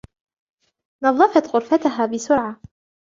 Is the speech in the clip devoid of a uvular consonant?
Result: yes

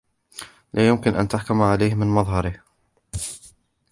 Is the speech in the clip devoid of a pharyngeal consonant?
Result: no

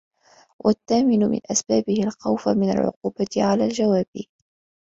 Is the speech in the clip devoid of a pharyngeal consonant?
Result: no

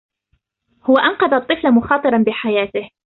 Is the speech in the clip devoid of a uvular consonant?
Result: no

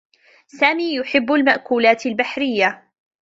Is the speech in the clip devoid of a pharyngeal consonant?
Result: no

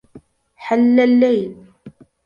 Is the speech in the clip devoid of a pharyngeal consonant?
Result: no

